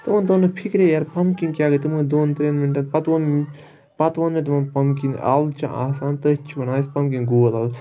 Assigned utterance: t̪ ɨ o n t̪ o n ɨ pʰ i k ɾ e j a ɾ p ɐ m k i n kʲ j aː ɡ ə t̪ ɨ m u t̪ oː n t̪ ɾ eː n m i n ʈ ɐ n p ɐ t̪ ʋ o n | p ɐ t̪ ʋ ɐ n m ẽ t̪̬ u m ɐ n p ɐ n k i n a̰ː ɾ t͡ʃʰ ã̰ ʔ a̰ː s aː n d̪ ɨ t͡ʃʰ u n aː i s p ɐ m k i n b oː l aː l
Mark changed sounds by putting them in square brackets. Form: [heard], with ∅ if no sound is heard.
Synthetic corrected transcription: t̪ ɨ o n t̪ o n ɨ pʰ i k ɾ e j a ɾ p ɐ m k i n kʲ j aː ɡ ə t̪ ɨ m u [d̪] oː n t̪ ɾ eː n m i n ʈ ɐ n p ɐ t̪ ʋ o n | p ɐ t̪ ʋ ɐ n m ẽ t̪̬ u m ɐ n p ɐ [m] k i n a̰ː [l] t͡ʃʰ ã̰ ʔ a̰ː s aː n [t̪] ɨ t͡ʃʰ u n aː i s p ɐ m k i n [ɡ] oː l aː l